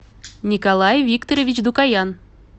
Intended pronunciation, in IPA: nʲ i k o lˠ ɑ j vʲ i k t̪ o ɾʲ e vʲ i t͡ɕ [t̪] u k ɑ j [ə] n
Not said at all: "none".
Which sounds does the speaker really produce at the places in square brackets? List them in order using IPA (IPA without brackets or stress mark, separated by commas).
d̪, ɑ